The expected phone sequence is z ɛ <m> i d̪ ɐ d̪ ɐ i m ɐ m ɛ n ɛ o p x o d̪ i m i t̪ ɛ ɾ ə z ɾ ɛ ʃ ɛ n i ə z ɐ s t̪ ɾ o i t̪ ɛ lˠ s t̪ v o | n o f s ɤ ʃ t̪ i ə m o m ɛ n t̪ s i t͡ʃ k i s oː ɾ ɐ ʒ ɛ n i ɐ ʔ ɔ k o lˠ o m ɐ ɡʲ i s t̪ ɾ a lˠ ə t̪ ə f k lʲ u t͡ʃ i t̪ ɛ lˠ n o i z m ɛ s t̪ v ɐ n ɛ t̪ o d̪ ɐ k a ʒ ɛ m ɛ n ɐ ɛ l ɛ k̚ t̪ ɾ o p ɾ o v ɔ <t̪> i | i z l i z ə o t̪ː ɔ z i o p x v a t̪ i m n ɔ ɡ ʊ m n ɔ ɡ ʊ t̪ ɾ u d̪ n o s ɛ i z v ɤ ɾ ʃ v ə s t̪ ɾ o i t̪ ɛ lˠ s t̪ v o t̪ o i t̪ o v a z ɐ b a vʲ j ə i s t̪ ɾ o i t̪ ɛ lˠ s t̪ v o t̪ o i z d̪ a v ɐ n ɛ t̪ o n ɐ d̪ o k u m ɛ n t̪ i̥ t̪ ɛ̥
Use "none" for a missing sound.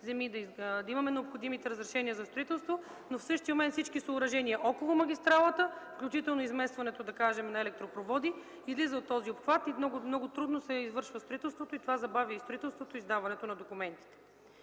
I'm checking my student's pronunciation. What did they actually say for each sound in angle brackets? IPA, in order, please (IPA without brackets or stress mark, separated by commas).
m, d̪